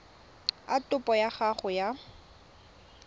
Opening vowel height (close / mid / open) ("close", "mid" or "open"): open